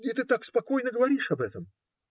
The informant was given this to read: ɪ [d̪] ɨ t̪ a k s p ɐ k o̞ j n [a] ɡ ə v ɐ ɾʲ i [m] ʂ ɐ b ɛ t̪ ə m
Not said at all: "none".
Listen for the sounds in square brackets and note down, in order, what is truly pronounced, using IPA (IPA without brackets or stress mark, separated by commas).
t̪, ə, none